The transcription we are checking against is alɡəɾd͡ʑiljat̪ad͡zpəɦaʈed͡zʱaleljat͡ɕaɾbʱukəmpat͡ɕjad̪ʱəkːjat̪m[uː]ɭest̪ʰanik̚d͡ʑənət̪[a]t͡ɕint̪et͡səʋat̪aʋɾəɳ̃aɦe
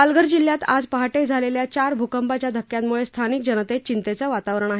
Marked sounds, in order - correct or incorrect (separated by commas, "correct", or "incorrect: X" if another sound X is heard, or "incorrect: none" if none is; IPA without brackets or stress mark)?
incorrect: u, incorrect: e